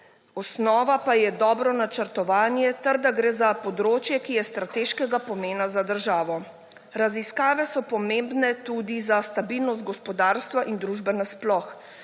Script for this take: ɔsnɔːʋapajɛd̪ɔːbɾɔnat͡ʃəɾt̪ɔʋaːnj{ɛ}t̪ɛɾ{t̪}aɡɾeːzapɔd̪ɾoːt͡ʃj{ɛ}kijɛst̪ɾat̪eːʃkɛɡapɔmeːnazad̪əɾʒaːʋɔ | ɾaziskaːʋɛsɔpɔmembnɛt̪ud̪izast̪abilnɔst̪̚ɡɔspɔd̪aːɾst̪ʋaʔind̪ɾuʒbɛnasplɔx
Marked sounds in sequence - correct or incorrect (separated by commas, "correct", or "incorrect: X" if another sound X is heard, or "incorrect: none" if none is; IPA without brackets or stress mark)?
correct, incorrect: d̪, correct